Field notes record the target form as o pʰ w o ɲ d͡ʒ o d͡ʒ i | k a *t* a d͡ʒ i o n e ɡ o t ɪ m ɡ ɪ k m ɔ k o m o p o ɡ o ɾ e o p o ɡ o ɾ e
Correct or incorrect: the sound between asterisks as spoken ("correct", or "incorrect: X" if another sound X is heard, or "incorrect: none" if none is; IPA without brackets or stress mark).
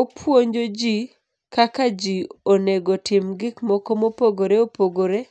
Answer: incorrect: k